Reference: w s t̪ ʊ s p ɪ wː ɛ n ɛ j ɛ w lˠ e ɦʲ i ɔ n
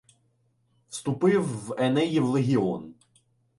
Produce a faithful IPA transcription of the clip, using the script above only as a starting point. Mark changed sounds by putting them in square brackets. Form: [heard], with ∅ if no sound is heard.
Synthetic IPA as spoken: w s t̪ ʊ [∅] p ɪ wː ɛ n ɛ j [i] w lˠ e ɦʲ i ɔ n